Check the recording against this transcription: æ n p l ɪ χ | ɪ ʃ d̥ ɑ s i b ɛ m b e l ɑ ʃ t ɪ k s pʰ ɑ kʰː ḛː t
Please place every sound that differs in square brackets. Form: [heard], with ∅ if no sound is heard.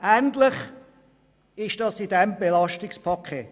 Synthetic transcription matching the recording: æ n [t] l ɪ χ | ɪ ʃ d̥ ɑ s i [d] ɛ m b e l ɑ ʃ t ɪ k s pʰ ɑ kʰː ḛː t